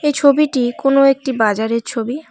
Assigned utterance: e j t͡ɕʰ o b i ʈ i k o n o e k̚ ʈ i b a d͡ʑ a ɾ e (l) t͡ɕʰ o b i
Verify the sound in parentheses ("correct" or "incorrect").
incorrect